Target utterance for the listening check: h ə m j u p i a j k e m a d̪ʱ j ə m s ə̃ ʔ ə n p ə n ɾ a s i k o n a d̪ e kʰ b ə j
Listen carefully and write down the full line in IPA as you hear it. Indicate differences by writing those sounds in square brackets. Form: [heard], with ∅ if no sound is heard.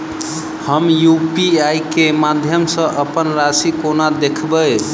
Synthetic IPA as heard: h ə m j u p i a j k e m a d̪ʱ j ə m s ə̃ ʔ ə [∅] p ə n ɾ a s i k o n a d̪ e kʰ b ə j